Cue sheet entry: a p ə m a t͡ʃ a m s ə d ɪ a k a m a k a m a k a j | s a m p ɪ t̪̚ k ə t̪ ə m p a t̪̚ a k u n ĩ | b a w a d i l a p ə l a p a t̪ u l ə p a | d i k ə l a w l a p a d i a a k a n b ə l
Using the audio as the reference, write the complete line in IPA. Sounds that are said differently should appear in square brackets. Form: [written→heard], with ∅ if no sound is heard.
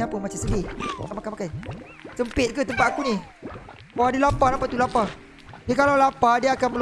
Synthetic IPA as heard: a p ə m a t͡ʃ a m s ə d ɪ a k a m a k a m a k a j | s [a→ə] m p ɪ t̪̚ k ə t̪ ə m p a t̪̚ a k u n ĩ | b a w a d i l a p [ə→a] l a p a t̪ u l [ə→a] p a | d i k [ə→a] l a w l a p a d i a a k a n [b→m] ə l